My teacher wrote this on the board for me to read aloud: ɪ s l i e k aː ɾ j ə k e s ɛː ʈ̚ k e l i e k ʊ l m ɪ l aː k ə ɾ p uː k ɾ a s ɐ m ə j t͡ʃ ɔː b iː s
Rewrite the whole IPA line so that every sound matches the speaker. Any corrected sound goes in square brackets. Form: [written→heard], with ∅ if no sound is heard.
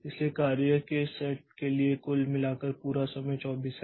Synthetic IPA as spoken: ɪ s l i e k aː ɾ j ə k e s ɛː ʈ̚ k e l i e k ʊ l m ɪ l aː k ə ɾ p uː [k→∅] ɾ a s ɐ m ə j t͡ʃ ɔː b iː s